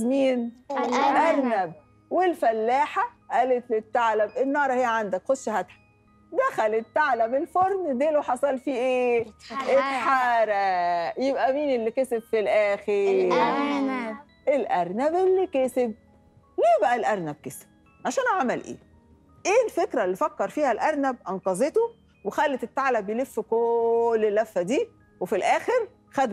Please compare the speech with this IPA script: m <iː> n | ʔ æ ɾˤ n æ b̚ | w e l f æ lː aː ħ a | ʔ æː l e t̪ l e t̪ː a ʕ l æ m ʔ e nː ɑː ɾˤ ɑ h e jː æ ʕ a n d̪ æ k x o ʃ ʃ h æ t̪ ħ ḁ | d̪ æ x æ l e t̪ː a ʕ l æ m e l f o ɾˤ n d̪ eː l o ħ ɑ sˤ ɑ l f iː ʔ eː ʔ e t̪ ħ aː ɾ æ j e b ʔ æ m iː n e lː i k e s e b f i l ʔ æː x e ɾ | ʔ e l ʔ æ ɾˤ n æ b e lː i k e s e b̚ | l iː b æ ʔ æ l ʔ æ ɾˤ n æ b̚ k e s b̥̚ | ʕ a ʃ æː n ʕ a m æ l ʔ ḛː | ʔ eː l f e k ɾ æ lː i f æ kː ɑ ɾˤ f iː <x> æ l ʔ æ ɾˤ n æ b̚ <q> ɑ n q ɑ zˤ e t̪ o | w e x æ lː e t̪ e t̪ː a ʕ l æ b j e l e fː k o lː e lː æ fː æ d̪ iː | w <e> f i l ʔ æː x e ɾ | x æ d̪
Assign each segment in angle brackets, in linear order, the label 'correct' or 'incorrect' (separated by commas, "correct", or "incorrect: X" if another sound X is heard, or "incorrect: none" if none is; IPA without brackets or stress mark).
correct, incorrect: h, incorrect: ʔ, correct